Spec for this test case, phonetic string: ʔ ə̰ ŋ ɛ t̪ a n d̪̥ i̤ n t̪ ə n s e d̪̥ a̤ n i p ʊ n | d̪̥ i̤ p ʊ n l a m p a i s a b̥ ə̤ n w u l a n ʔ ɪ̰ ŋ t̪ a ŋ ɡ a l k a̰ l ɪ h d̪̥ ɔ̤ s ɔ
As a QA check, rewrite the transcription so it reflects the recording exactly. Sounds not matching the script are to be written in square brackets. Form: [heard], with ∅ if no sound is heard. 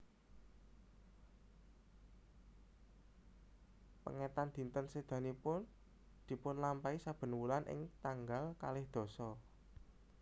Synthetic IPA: [p] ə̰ ŋ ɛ t̪ a n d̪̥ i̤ n t̪ ə n s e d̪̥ a̤ n i p ʊ n | d̪̥ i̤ p ʊ n l a m p a i s a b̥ ə̤ n w u l a n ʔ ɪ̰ ŋ t̪ a ŋ ɡ a l k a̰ l ɪ h d̪̥ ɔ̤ s ɔ